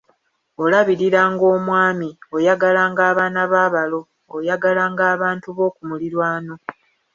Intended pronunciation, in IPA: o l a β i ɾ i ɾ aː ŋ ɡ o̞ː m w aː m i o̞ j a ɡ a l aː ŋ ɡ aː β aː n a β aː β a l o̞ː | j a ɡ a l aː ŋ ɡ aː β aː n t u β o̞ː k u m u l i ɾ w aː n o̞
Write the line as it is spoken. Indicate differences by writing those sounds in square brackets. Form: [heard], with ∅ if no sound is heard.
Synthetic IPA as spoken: o l a β i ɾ i ɾ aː ŋ ɡ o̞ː m w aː m i o̞ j a ɡ a l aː ŋ ɡ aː β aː n a β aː β a l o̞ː | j a ɡ a l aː ŋ ɡ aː β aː n t u β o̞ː k u m u l i ɾ w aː n o̞